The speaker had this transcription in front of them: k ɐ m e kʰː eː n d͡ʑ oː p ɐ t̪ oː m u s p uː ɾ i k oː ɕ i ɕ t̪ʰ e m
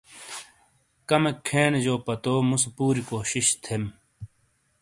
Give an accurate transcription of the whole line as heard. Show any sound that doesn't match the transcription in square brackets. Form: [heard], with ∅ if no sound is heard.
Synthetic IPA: k ɐ m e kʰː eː n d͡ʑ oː p ɐ t̪ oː m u s p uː ɾ i k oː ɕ i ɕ t̪ʰ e m

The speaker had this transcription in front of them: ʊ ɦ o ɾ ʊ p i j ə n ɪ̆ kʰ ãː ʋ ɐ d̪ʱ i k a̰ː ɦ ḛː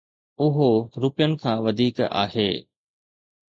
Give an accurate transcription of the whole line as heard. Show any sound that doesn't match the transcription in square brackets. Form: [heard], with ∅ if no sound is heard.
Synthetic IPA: ʊ ɦ o ɾ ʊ p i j ə n ɪ̆ kʰ ãː ʋ ɐ d̪ʱ [iː] k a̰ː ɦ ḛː

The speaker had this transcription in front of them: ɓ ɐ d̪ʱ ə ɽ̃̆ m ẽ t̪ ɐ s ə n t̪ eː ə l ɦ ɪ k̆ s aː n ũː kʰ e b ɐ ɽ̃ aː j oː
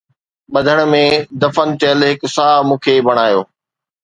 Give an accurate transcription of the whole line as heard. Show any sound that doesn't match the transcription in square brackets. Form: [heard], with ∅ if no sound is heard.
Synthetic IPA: ɓ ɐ d̪ʱ ə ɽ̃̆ m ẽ [d̪] ɐ [f] ə n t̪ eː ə l ɦ ɪ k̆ s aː [m] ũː kʰ e b ɐ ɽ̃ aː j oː

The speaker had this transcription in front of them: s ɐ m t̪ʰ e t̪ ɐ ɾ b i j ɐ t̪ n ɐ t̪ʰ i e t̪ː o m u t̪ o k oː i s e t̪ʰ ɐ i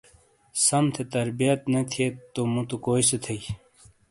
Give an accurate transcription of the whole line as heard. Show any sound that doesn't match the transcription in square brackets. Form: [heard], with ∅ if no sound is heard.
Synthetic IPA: s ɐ m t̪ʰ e t̪ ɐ ɾ b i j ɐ t̪ n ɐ t̪ʰ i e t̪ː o m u t̪ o k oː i s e t̪ʰ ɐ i

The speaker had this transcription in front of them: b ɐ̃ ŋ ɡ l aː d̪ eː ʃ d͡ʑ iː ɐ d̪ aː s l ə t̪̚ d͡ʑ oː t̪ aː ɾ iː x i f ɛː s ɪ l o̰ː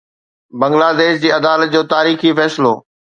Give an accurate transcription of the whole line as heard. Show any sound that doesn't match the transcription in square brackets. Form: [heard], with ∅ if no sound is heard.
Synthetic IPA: b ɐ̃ ŋ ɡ l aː d̪ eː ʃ d͡ʑ iː ɐ d̪ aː [∅] l ə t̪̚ d͡ʑ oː t̪ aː ɾ iː x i f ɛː s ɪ l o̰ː

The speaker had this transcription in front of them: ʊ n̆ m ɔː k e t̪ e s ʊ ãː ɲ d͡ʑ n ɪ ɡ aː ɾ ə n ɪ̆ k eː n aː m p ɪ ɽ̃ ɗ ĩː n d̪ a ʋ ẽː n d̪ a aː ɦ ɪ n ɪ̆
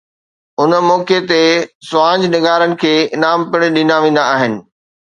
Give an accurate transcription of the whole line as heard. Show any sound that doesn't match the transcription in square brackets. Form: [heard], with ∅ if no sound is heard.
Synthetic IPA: ʊ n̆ m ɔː k e t̪ e s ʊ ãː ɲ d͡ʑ n ɪ ɡ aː ɾ ə n ɪ̆ [kʰ] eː n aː m p ɪ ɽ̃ ɗ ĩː n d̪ a ʋ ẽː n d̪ a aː ɦ ɪ n ɪ̆

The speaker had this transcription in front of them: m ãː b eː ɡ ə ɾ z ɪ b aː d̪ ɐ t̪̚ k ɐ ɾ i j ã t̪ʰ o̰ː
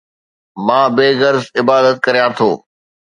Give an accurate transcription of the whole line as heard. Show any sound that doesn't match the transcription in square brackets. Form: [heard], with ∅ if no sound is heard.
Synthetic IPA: m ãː b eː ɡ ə ɾ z ɪ b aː d̪ [ə] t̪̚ k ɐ ɾ i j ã t̪ʰ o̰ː

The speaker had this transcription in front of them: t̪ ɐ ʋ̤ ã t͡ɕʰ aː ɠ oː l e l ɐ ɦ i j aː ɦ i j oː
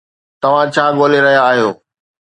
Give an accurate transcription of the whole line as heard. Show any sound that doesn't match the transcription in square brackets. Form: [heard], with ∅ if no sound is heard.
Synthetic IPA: t̪ ɐ ʋ̤ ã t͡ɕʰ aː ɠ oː l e [ɾ] ɐ ɦ i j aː ɦ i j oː

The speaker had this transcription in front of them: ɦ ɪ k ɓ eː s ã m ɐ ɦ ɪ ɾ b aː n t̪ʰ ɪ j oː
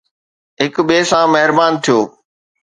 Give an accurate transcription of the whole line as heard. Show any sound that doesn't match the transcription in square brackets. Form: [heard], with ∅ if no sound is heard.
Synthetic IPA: ɦ ɪ k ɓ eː s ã m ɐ ɦ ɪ ɾ b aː n t̪ʰ [i] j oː

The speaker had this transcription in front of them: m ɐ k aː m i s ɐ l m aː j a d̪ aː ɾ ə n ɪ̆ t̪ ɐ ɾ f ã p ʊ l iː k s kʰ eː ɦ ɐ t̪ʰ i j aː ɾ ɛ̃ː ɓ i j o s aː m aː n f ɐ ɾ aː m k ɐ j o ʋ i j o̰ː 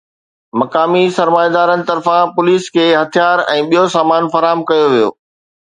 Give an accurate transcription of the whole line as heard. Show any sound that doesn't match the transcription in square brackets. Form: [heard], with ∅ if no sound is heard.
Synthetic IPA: m ɐ k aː m i s ɐ [ɾ] m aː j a d̪ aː ɾ ə n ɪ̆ t̪ ɐ ɾ f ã p ʊ l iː [∅] s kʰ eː ɦ ɐ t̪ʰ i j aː ɾ ɛ̃ː ɓ i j o s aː m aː n f ɐ ɾ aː m k ɐ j o ʋ i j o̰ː

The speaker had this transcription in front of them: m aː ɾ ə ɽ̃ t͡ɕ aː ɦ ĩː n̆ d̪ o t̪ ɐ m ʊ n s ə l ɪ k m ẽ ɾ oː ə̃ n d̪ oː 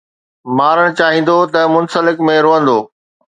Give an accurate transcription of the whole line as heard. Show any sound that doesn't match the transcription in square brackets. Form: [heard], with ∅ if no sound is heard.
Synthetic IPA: m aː ɾ ə ɽ̃ t͡ɕ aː ɦ ĩː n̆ d̪ o t̪ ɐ m ʊ n s ə l ɪ k m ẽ ɾ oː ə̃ n d̪ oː

